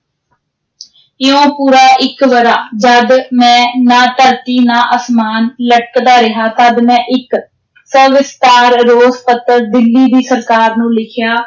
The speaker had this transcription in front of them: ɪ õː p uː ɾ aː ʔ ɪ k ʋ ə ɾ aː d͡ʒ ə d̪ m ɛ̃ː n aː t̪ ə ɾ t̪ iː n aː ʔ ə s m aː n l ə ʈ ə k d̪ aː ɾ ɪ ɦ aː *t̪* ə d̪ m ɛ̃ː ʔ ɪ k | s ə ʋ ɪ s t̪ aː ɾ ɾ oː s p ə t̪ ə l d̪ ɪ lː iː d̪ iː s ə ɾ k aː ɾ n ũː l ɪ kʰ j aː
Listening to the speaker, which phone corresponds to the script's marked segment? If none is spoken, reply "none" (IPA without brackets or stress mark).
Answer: t̪